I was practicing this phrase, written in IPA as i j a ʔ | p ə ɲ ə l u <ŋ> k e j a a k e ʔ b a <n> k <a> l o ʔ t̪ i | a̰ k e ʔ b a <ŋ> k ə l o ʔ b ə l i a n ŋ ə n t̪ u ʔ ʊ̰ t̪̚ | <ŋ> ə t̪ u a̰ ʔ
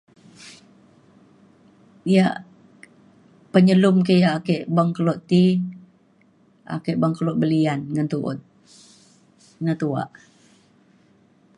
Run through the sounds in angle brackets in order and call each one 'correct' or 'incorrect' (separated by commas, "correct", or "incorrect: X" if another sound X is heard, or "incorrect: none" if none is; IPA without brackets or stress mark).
incorrect: m, incorrect: ŋ, incorrect: ə, correct, incorrect: n